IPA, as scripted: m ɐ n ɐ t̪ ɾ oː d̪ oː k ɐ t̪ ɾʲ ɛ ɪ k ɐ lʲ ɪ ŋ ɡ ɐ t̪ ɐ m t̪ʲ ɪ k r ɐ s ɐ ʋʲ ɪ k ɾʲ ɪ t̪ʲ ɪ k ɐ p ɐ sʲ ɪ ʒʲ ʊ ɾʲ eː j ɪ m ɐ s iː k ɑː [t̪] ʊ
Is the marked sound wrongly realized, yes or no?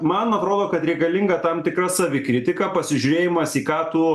no